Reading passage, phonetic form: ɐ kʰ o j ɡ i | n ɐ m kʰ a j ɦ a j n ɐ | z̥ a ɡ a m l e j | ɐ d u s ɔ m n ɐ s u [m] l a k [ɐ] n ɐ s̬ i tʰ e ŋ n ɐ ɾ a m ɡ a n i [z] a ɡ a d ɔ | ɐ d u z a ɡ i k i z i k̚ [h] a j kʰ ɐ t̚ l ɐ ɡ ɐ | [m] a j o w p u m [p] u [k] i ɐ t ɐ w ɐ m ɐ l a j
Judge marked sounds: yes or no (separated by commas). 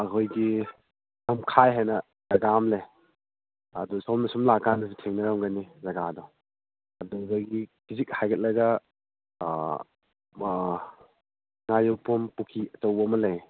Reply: yes, no, yes, yes, no, yes, no